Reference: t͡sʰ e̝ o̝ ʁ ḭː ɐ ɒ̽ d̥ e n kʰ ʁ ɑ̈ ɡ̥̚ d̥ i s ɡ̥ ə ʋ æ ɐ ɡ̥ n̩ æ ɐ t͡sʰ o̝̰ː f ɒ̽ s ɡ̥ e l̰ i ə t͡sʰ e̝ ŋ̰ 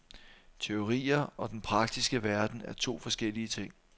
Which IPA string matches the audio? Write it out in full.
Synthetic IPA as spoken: t͡sʰ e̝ o̝ ʁ ḭː ɐ ɒ̽ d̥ e n pʰ ʁ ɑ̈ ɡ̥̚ d̥ i s ɡ̥ ə ʋ æ ɐ d̥ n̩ æ ɐ t͡sʰ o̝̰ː f ɒ̽ s ɡ̥ e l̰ i ə t͡sʰ e̝ ŋ̰